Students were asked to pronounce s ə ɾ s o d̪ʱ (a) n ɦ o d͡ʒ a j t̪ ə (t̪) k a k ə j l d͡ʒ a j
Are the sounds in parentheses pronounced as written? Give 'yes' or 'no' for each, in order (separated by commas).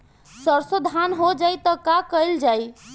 yes, no